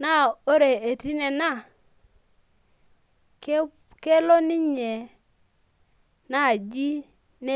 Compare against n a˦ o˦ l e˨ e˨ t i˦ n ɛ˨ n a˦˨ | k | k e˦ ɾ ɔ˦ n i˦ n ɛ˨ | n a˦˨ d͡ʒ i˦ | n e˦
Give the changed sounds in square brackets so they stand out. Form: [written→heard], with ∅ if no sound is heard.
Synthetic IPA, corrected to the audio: n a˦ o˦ [l→ɾ] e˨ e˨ t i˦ n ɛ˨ n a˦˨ | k | k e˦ [ɾ→l] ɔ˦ n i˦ [n→ɲ] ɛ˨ | n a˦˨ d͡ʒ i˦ | n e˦